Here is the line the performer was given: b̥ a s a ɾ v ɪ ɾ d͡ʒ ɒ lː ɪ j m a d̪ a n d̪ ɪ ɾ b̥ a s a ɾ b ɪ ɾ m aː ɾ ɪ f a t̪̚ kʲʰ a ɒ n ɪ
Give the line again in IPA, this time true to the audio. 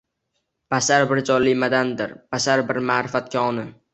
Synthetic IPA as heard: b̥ a s a ɾ b ɪ ɾ d͡ʒ ɒ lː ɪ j m a d̪ a n d̪ ɪ ɾ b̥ a s a ɾ b ɪ ɾ m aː ɾ ɪ f a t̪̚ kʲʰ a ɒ n ɪ